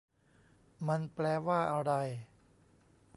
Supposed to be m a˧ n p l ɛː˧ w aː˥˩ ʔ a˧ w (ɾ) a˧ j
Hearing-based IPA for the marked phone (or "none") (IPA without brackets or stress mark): ɾ